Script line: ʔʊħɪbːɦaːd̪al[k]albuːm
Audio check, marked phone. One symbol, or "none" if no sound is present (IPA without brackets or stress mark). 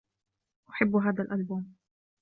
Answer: ʔ